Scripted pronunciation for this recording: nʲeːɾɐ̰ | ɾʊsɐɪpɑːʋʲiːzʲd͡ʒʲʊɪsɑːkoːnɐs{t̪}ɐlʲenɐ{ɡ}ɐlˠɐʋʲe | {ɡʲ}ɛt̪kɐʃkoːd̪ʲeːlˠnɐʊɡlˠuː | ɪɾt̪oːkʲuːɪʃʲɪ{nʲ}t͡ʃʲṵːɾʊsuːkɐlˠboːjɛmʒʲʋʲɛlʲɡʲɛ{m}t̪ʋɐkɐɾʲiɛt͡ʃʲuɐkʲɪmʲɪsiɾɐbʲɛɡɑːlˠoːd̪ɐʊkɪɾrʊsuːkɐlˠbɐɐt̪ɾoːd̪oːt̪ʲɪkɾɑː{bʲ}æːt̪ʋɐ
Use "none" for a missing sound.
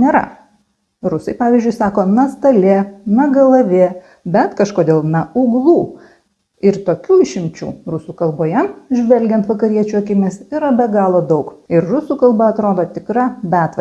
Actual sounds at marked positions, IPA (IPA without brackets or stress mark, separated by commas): t̪, ɡ, bʲ, mʲ, n, bʲ